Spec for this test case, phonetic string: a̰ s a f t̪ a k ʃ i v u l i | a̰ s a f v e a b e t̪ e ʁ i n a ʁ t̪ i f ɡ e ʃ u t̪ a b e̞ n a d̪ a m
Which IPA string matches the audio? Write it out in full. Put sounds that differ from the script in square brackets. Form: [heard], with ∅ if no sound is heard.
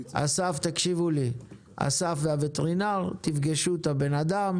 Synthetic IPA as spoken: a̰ s a f t̪ a k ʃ i v u l i | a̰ s a f v e a [v] e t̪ e ʁ i n a ʁ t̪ i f ɡ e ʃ u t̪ a b e̞ n a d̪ a m